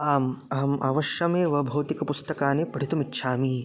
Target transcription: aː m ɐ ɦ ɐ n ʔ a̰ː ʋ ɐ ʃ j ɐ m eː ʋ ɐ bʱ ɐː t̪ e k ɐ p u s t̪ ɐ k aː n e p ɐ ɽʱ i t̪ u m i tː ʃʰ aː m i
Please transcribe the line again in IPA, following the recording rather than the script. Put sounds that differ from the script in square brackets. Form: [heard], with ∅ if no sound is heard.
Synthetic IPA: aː m ɐ ɦ ɐ [m] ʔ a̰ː ʋ ɐ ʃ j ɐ m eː ʋ ɐ bʱ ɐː t̪ [i] k ɐ p u s t̪ ɐ k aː n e p ɐ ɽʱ i t̪ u m i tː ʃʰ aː m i